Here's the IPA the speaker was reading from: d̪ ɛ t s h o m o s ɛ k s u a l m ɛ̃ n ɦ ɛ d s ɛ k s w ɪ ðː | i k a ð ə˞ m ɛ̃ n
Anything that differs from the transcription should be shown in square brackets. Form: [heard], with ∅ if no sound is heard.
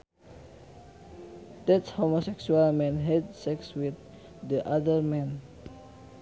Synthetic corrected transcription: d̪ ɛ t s h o m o s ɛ k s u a l m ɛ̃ n ɦ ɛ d s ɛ k s w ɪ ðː | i [ʔ] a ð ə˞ m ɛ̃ n